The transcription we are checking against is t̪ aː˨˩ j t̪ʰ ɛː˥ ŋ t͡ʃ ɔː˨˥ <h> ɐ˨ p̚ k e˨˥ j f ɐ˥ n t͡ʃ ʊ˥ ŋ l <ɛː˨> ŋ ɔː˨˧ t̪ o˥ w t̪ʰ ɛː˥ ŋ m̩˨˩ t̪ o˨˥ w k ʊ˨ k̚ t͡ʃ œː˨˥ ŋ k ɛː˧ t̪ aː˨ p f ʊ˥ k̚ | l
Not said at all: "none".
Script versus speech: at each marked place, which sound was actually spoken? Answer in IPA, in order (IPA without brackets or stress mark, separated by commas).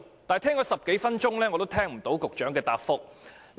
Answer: s, ɛː˥